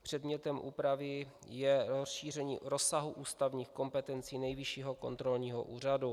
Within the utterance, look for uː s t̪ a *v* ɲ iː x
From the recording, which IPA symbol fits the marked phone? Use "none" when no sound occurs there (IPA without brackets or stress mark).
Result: v